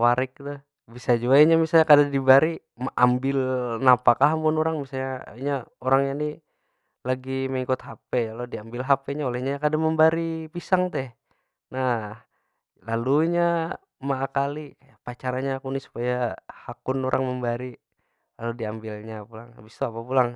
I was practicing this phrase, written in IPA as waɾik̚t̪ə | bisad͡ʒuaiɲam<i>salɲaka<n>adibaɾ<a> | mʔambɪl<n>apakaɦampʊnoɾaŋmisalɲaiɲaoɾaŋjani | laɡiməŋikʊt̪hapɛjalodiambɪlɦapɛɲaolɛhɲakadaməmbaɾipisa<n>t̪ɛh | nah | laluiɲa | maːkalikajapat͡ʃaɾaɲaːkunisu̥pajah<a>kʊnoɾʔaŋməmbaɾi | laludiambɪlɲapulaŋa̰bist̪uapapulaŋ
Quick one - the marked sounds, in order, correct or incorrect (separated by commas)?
correct, incorrect, incorrect, correct, incorrect, correct